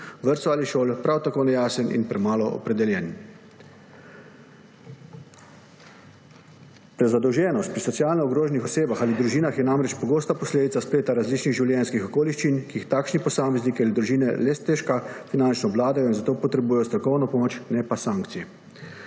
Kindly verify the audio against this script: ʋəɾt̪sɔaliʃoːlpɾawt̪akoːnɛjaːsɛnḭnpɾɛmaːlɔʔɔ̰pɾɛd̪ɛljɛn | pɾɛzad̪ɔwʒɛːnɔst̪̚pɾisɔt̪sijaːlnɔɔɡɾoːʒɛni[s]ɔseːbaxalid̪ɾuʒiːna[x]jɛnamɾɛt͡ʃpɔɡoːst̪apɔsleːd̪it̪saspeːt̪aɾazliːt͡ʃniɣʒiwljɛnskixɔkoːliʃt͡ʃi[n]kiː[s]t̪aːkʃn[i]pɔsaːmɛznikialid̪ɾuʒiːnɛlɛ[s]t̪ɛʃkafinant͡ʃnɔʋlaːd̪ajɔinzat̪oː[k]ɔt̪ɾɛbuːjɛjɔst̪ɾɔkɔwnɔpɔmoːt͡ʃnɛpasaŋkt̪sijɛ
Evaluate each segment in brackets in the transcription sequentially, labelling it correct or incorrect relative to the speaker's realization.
incorrect, correct, correct, incorrect, correct, correct, incorrect

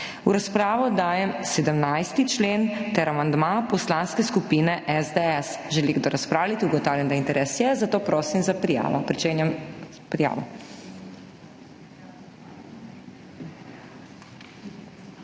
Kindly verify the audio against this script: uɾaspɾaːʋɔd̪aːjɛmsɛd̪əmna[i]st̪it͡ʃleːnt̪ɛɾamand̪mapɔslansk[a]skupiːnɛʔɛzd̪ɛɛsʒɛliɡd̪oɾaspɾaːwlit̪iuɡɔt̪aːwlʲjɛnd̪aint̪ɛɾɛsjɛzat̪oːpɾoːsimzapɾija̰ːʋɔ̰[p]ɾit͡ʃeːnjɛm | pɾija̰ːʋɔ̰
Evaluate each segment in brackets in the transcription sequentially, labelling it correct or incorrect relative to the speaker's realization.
incorrect, incorrect, correct

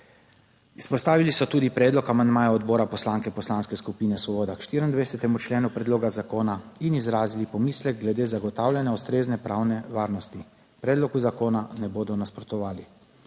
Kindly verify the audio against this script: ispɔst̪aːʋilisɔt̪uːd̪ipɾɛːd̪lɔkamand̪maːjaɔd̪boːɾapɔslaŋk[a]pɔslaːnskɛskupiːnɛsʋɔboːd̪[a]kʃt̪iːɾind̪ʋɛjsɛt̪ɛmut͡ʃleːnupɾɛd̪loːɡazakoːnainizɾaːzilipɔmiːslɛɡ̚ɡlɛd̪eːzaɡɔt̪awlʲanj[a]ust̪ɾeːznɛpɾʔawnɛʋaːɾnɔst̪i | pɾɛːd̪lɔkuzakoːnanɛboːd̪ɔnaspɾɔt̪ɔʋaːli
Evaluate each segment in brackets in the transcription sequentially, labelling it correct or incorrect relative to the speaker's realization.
incorrect, correct, correct

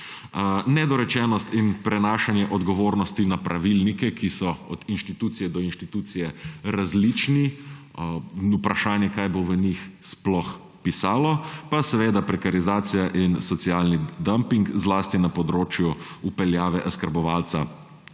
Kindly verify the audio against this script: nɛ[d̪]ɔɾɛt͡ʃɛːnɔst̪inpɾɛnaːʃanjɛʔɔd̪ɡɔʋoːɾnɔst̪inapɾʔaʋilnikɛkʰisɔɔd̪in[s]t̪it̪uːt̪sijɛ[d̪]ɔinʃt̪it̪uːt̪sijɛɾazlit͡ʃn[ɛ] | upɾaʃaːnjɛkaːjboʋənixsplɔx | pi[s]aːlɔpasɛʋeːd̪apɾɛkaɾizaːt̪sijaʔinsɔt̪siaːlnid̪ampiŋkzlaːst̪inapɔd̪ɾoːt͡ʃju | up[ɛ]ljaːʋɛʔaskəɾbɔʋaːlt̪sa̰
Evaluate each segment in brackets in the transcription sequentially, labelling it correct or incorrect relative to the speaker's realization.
correct, incorrect, correct, incorrect, correct, correct

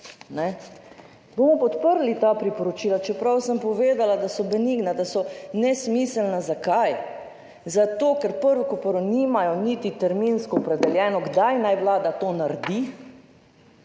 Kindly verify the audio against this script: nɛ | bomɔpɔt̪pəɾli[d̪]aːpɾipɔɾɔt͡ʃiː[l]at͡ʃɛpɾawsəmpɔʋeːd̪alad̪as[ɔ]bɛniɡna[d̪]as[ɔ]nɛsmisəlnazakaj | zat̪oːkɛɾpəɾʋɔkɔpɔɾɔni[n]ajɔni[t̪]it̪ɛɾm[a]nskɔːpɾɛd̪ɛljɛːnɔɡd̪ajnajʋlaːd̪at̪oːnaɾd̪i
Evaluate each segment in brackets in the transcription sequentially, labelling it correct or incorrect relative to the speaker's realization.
incorrect, correct, correct, correct, correct, incorrect, correct, incorrect

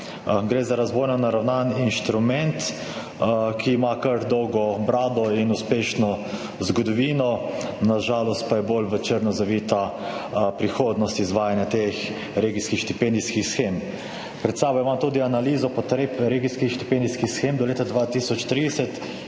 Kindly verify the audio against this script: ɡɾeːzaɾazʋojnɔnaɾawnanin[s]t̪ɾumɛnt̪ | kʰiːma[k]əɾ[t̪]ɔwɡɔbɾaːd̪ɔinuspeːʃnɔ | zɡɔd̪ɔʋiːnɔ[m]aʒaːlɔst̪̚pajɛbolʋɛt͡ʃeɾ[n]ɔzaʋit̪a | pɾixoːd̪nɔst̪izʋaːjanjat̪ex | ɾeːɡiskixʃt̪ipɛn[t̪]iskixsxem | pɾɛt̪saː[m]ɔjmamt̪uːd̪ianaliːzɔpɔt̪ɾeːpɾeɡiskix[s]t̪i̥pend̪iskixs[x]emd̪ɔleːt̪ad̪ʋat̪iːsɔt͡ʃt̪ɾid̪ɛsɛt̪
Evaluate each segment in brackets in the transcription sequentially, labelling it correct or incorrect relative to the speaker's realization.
incorrect, correct, incorrect, incorrect, correct, incorrect, incorrect, incorrect, correct

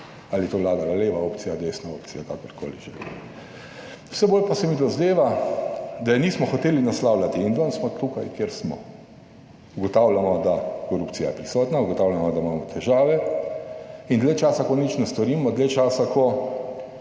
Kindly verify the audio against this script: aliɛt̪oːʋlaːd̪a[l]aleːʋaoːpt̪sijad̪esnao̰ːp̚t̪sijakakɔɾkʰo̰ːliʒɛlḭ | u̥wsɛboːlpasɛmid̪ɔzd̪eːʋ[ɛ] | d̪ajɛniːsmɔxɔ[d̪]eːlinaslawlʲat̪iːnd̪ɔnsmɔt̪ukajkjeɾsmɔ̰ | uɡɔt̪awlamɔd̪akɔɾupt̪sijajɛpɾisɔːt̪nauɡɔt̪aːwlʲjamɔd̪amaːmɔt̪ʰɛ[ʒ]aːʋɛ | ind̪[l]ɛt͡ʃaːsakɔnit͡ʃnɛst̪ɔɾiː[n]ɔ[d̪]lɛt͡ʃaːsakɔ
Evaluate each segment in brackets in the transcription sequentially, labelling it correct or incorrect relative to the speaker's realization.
correct, incorrect, incorrect, correct, correct, incorrect, correct

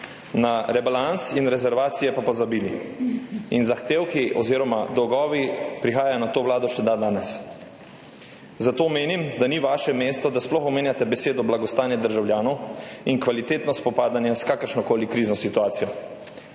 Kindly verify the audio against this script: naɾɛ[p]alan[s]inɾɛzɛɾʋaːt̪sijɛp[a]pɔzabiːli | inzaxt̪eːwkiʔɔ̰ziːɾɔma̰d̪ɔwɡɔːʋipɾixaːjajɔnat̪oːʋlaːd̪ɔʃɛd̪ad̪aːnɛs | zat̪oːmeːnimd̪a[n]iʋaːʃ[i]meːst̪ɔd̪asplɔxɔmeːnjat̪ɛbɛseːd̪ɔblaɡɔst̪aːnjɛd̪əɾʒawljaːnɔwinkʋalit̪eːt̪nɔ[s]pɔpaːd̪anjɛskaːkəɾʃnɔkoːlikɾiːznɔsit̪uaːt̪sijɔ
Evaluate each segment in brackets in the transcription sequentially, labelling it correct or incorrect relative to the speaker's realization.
incorrect, correct, correct, correct, incorrect, correct

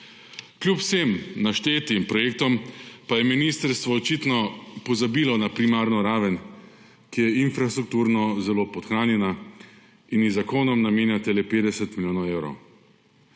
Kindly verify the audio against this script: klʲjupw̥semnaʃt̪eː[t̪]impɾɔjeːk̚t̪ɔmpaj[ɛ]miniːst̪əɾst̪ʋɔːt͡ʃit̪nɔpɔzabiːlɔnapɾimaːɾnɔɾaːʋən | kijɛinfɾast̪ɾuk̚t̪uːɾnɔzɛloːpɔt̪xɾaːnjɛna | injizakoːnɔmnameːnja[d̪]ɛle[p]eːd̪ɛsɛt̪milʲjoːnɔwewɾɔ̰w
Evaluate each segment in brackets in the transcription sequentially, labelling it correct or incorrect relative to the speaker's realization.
correct, correct, incorrect, correct

